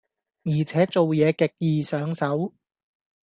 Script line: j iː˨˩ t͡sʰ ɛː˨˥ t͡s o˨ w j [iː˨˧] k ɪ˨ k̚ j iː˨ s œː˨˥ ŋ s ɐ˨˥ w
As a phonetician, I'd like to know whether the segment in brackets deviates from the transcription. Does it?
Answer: yes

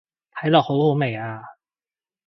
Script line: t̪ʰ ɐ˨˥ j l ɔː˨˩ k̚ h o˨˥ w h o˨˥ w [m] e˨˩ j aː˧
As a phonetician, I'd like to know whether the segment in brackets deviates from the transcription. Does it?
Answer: no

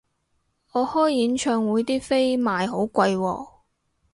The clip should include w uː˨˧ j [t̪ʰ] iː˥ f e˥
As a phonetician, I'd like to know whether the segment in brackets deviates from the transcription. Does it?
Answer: yes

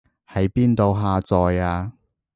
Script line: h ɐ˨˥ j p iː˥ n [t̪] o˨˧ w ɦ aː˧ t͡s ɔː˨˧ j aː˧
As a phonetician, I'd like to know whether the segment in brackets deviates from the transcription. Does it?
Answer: no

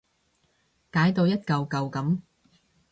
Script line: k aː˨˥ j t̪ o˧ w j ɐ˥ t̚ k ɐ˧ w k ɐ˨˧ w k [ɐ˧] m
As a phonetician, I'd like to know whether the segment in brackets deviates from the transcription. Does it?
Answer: yes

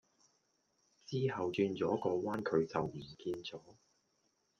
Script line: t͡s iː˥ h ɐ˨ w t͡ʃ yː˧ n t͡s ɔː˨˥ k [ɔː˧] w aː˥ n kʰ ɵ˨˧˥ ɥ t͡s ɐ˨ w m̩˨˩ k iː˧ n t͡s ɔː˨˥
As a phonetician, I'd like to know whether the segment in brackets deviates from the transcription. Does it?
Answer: no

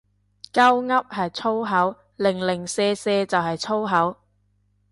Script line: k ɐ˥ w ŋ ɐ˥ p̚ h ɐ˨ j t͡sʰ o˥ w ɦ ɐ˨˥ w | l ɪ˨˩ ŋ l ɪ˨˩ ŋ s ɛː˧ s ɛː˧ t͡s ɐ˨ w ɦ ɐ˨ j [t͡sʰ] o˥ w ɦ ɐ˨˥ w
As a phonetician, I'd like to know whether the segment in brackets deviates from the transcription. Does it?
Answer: no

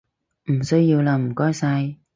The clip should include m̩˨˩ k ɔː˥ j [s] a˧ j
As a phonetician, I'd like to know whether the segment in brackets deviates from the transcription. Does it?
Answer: no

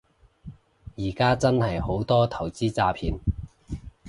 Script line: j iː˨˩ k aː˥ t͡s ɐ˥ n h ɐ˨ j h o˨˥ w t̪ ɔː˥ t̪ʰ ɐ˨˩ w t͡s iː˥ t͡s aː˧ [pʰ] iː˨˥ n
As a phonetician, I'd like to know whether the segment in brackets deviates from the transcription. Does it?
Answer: no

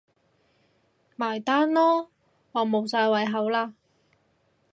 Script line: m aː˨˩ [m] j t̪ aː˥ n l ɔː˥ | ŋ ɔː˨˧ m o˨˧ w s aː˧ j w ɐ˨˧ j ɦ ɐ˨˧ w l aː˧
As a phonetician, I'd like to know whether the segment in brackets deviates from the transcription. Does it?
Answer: yes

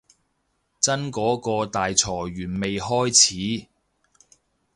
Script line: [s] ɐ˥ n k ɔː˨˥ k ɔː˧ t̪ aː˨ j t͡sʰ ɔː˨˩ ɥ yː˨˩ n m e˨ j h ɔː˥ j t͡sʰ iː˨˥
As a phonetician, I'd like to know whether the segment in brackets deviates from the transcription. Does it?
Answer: yes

